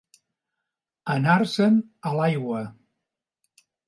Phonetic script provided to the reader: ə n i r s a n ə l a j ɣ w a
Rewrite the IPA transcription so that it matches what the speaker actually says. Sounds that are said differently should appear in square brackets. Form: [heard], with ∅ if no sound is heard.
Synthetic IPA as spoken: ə n [a] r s [ə] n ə l a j ɣ w [ə]